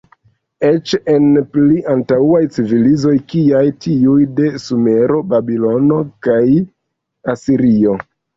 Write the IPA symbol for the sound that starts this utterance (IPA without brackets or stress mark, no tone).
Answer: e̞